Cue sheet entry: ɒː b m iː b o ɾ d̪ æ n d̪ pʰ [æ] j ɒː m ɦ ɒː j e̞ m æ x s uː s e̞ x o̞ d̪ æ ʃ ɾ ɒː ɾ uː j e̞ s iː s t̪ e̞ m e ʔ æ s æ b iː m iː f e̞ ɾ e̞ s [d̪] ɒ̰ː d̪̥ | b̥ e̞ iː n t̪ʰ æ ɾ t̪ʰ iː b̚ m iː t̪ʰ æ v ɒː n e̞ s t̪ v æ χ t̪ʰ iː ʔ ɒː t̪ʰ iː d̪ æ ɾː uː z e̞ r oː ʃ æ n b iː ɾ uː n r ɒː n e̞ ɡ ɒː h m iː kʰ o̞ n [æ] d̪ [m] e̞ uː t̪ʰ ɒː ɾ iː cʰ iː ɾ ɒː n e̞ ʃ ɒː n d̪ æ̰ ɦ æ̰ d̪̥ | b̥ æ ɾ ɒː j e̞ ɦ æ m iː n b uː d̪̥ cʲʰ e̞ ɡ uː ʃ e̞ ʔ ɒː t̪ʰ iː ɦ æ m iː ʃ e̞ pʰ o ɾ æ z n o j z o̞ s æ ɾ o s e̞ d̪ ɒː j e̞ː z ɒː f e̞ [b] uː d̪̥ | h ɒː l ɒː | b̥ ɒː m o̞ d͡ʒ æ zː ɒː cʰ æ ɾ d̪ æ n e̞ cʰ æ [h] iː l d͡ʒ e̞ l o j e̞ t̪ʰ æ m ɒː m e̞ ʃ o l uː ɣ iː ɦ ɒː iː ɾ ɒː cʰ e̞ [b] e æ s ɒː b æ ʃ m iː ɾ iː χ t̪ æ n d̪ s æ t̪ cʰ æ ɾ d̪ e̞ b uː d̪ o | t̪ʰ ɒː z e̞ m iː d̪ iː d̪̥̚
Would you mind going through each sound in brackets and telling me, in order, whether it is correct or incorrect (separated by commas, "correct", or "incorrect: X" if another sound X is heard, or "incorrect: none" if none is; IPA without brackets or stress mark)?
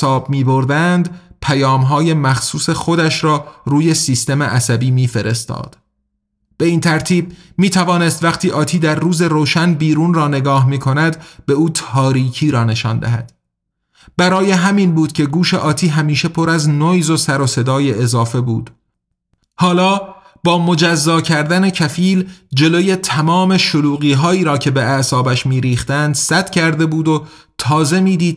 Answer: correct, incorrect: t̪, correct, incorrect: b, correct, incorrect: f, correct